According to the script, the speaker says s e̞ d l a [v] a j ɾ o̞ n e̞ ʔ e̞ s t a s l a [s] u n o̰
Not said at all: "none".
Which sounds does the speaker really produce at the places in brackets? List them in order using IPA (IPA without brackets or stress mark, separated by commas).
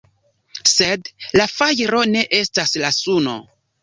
f, s